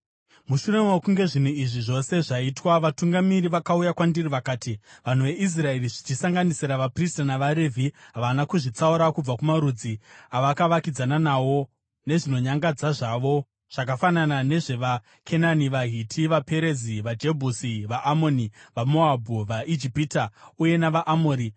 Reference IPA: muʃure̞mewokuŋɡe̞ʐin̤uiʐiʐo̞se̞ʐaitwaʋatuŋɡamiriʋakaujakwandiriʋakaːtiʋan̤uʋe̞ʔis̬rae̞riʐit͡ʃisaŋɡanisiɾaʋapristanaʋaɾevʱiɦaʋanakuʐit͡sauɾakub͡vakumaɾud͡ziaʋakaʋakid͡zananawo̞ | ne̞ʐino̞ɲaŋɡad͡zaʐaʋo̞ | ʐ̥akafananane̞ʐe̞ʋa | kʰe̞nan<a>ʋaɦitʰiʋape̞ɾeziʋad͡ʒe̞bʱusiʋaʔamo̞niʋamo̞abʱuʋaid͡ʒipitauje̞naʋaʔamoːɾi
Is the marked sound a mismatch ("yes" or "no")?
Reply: yes